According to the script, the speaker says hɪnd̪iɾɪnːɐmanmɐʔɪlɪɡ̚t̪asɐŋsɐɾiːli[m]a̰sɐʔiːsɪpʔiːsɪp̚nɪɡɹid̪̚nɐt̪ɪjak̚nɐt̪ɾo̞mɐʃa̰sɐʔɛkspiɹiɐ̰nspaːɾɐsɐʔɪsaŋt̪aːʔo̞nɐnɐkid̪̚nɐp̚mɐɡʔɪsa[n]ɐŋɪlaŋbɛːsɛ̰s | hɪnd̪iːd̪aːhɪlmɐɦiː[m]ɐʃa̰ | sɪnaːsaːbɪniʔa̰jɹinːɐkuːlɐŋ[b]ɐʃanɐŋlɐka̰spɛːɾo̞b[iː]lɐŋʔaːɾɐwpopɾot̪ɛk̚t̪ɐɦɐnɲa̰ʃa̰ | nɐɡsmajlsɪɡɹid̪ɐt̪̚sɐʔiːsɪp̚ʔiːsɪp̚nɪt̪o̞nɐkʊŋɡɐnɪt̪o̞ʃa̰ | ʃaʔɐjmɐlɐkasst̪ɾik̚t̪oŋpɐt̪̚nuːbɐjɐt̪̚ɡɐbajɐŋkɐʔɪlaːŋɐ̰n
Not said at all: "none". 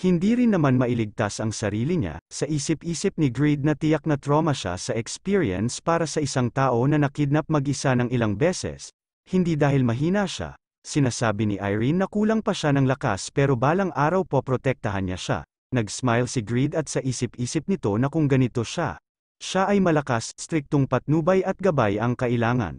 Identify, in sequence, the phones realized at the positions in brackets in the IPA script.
ɲ, n, n, p, aː

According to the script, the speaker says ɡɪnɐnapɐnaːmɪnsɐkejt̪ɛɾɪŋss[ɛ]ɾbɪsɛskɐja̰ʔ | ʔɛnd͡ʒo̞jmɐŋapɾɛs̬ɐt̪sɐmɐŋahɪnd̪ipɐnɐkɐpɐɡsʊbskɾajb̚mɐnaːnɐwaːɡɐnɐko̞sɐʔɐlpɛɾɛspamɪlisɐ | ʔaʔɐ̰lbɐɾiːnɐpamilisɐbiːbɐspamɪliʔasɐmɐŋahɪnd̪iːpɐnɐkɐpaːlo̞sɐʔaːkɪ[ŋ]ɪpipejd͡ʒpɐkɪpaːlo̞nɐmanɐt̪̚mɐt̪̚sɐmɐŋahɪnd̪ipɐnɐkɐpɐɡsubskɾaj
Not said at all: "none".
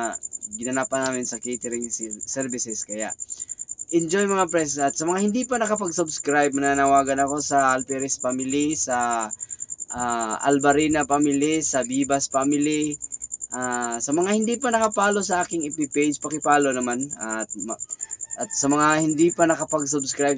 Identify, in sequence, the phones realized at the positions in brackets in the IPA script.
ɛ, ŋ

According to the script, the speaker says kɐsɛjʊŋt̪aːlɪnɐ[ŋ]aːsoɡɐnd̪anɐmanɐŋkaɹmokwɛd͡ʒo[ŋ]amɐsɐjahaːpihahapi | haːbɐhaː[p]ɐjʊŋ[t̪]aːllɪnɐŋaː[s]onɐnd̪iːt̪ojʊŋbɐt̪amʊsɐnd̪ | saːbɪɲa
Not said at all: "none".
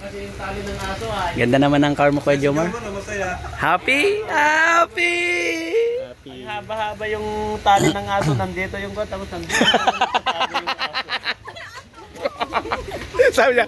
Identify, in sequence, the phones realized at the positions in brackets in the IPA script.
ŋ, m, b, t̪, s

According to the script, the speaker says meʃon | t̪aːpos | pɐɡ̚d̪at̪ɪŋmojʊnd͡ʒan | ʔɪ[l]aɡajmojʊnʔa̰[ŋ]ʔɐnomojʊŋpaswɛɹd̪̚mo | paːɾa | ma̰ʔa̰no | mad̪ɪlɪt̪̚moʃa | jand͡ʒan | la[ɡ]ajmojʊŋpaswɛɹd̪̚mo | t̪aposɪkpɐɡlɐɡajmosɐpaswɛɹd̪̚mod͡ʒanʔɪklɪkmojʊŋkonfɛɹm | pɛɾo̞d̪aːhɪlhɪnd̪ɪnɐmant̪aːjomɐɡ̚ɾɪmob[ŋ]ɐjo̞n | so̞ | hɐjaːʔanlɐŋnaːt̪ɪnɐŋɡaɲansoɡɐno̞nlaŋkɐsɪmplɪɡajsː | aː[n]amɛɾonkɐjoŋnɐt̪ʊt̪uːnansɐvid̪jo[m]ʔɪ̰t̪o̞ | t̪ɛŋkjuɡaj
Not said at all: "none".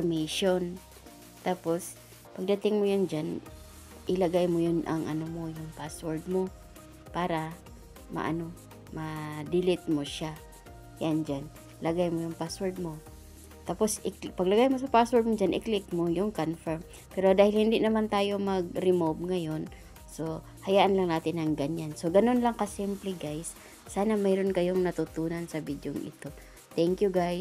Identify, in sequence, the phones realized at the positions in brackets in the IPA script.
l, ŋ, ɡ, ŋ, n, ŋ

